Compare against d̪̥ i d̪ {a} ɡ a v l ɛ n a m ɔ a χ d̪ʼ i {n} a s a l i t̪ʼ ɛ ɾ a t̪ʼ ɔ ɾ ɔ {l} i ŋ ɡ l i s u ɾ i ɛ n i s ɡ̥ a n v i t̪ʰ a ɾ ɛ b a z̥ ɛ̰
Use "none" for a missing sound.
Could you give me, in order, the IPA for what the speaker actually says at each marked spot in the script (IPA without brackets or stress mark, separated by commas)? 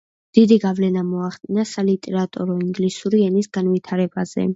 i, n, none